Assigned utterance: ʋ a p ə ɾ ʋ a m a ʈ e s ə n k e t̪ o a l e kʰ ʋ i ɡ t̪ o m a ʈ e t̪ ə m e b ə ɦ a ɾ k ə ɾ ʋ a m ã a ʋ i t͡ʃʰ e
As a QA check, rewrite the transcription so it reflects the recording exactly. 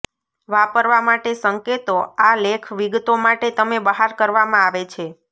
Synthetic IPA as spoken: ʋ a p ə ɾ ʋ a m a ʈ e s ə ŋ k e t̪ o a l e kʰ ʋ i ɡ t̪ o m a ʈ e t̪ ə m e b ə ɦ a ɾ k ə ɾ ʋ a m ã a ʋ e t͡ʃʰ e